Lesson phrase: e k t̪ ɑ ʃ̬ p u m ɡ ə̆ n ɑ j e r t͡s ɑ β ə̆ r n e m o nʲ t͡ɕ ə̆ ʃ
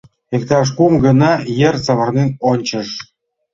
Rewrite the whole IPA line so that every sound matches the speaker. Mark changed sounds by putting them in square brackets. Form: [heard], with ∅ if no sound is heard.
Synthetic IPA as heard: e k t̪ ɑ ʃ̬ [k] u m ɡ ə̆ n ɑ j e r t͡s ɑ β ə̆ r n e [n] o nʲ t͡ɕ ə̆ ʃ

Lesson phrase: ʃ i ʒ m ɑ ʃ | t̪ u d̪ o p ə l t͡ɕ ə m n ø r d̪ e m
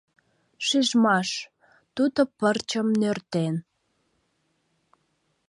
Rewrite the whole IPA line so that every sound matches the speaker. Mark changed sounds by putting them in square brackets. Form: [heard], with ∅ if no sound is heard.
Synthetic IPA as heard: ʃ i ʒ m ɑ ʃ | t̪ u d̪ o p ə [r] t͡ɕ ə m n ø r [t̪] e [n]

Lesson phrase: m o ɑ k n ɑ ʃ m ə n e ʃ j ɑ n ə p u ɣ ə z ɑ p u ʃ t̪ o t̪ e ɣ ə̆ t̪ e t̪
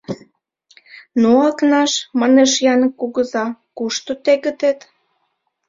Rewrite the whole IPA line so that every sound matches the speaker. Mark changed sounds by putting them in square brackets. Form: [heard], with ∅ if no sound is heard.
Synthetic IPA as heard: [n] o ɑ k n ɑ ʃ m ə n e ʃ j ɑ n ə [k] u ɣ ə z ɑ [k] u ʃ t̪ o t̪ e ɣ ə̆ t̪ e t̪

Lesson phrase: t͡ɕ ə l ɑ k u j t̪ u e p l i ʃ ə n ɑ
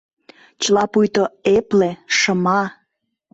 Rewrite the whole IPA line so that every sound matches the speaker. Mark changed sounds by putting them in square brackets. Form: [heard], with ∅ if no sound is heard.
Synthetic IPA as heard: t͡ɕ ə l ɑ [p] u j t̪ [o] e p l [e] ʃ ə [m] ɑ

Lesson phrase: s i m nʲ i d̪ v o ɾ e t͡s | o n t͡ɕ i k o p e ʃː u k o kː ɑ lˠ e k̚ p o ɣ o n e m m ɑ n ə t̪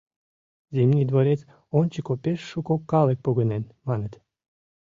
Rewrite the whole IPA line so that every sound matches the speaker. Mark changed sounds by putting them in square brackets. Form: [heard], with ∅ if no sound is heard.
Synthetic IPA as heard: [z] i m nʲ i d̪ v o ɾ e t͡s | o n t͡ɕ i k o p e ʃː u k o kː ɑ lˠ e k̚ p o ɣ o n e [n] m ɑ n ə t̪

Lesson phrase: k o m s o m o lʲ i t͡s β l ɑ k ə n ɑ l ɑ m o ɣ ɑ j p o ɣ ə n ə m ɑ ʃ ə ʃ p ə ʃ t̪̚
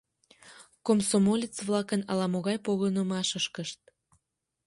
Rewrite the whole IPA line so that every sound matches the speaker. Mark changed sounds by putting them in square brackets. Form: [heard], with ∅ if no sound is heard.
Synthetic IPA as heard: k o m s o m o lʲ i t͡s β l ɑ k ə n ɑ l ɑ m o ɣ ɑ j p o ɣ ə n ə m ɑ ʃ ə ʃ [k] ə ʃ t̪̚

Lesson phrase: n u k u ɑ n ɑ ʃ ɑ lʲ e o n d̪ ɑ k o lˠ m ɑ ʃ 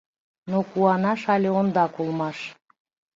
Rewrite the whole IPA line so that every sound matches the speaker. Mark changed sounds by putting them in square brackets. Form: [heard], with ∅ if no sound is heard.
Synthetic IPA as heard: n [o] k u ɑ n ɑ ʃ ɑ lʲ e o n d̪ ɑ k [u] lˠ m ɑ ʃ

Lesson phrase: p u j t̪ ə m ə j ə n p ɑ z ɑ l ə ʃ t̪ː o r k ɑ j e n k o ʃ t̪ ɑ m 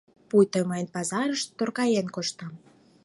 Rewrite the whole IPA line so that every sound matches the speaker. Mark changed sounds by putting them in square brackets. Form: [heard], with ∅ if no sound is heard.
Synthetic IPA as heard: p u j t̪ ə m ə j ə n p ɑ z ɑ [ɾ] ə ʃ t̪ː o r k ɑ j e n k o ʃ t̪ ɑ m

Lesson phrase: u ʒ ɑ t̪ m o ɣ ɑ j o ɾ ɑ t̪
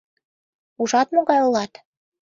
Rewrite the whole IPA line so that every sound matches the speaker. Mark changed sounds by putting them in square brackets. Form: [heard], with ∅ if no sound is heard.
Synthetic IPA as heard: u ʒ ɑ t̪ m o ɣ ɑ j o [l] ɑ t̪

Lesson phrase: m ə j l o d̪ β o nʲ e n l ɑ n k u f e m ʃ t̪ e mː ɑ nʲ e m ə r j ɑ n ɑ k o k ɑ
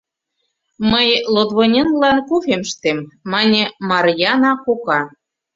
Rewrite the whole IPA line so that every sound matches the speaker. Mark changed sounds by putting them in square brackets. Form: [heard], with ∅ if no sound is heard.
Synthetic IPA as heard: m ə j l o d̪ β o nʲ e n l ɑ n k u f e m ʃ t̪ e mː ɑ nʲ e m [ɑ] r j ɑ n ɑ k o k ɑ

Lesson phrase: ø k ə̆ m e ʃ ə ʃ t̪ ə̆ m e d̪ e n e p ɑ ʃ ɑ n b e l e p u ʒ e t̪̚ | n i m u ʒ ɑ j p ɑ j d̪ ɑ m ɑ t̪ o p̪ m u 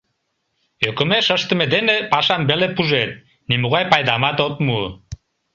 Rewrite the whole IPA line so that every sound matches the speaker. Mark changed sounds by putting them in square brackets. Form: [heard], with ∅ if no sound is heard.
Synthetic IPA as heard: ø k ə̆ m e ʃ ə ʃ t̪ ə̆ m e d̪ e n e p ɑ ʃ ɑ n b e l e p u ʒ e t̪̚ | n i m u [ɣ] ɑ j p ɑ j d̪ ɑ m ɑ t̪ o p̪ m u

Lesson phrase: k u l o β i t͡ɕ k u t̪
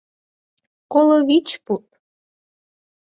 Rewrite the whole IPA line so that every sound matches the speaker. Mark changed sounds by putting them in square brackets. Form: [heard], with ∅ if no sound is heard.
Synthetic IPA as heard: k [o] l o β i t͡ɕ [p] u t̪

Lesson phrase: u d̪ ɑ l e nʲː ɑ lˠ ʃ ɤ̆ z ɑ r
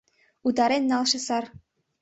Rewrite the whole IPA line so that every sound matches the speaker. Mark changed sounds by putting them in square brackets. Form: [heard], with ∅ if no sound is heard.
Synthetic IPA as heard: u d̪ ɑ [ɾ] e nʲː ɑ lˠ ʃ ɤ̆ [s] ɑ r

